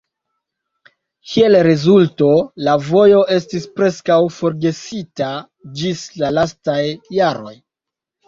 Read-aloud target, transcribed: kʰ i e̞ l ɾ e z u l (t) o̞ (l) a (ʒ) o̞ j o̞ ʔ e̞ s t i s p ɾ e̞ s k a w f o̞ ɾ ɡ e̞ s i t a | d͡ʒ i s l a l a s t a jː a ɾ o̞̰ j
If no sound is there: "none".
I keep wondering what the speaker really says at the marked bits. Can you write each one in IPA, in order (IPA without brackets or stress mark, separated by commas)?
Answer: t, l, v